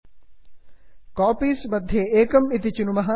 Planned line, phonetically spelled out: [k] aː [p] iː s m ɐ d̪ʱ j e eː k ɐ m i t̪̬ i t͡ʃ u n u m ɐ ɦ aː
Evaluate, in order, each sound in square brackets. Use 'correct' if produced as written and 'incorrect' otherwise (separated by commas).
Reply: correct, correct